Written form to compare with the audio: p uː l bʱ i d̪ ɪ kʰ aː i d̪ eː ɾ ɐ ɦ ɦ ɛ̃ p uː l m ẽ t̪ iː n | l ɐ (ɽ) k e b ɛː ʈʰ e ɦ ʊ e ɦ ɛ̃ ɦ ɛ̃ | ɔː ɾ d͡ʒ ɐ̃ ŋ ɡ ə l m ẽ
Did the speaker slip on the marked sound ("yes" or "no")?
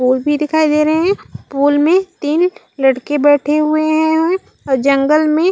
no